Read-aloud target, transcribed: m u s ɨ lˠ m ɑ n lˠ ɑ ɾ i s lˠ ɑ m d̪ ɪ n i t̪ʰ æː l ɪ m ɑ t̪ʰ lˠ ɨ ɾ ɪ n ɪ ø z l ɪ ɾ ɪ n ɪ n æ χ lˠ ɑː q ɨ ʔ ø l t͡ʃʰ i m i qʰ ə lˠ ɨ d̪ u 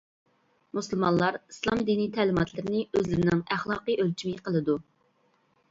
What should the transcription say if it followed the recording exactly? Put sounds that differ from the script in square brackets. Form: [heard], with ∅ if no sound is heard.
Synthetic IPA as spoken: m u s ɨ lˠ m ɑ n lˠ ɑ ɾ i s lˠ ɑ m d̪ [i] n i t̪ʰ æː l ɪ m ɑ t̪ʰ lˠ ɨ ɾ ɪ n ɪ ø z l ɪ ɾ ɪ n ɪ [ŋ] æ χ lˠ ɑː q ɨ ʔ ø l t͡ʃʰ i m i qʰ ə lˠ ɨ d̪ u